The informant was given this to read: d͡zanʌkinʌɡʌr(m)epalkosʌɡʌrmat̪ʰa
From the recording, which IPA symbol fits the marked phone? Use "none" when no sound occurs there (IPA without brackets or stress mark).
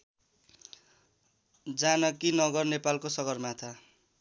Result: n